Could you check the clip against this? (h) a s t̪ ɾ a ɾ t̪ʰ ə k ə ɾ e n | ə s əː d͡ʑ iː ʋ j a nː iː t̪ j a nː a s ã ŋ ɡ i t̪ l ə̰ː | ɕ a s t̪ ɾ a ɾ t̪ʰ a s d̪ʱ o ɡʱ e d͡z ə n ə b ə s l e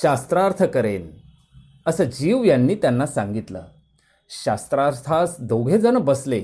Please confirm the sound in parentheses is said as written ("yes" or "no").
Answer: no